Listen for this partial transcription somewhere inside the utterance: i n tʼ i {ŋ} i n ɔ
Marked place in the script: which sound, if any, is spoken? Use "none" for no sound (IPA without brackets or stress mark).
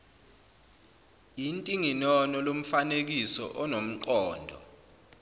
ŋ